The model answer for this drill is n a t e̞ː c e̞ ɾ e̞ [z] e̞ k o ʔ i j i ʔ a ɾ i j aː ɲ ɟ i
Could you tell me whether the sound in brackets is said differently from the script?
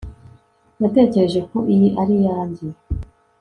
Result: yes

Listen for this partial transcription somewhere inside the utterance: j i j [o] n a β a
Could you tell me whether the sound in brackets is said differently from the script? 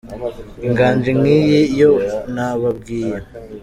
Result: no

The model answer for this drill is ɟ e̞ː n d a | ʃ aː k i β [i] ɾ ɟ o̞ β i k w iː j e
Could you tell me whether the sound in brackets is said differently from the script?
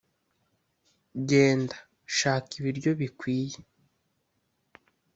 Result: no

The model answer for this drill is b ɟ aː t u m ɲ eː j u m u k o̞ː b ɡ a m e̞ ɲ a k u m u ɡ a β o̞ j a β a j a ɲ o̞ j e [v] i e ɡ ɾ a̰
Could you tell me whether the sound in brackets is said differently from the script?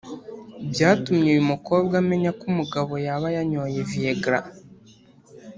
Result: no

